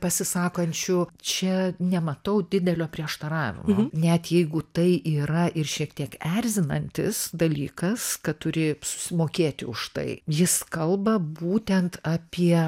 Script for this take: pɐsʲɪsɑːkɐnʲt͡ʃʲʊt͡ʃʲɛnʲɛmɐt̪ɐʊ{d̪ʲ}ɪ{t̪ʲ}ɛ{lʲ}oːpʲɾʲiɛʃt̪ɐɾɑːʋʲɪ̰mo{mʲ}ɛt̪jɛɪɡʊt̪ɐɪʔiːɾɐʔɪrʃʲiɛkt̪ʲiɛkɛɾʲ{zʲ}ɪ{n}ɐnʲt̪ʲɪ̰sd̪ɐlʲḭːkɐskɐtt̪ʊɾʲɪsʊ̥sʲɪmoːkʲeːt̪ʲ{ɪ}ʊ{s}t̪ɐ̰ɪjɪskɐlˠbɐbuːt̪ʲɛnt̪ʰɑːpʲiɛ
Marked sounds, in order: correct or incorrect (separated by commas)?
correct, incorrect, correct, incorrect, correct, correct, correct, incorrect